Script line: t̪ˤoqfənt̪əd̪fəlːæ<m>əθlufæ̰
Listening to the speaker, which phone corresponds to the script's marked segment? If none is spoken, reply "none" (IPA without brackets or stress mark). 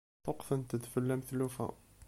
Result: m